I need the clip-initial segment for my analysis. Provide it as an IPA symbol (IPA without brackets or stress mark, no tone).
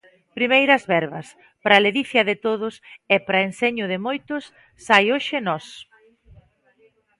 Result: p